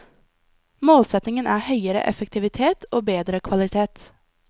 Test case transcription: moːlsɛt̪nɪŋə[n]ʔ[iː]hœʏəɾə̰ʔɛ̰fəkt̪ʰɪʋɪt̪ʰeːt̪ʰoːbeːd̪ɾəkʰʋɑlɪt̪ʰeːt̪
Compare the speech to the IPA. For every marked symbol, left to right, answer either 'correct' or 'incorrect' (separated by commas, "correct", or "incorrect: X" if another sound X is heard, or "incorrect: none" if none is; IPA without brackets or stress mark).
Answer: correct, incorrect: æː